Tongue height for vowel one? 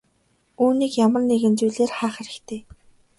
high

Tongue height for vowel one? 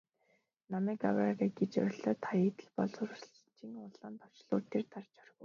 low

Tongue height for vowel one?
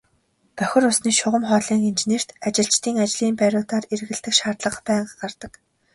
mid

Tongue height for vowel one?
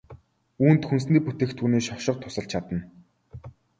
high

